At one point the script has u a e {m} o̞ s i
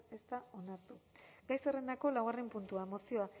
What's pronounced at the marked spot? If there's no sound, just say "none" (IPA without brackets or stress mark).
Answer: m